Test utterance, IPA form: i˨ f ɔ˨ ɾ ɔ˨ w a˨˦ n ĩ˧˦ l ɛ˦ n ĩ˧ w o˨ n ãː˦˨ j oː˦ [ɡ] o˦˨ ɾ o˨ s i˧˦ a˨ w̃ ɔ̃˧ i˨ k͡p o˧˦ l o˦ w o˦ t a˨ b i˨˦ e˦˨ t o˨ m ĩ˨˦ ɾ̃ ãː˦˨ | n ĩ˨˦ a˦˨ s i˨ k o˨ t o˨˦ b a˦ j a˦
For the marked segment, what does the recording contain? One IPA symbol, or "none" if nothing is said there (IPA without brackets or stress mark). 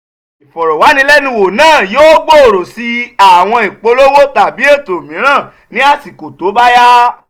ɡ͡b